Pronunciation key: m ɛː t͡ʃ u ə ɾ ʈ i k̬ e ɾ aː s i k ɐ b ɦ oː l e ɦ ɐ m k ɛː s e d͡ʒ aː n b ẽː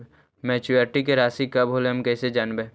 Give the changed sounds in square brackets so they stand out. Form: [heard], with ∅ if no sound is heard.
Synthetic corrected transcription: m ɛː t͡ʃ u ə ɾ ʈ i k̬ e ɾ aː s i k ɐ b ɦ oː l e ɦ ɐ m k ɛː s e d͡ʒ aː n b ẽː